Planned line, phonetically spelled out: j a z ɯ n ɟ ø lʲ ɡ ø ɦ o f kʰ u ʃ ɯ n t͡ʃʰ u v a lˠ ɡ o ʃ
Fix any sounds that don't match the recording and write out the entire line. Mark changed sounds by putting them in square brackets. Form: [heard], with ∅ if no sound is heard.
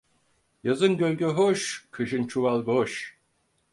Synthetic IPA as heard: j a z ɯ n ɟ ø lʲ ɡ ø ɦ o [ʃ] kʰ [ɯ] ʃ ɯ n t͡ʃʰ u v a lˠ ɡ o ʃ